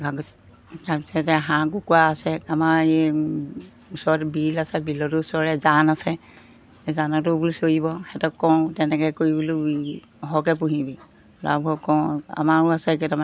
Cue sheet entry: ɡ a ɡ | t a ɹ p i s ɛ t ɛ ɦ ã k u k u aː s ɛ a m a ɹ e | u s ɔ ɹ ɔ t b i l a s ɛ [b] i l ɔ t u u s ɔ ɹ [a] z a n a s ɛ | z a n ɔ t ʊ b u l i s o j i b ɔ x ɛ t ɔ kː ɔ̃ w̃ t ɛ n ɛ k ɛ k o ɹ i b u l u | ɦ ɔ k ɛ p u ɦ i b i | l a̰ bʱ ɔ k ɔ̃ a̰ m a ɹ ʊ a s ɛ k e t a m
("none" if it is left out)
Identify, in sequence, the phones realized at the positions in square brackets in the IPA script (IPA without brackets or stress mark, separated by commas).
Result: b, ɛ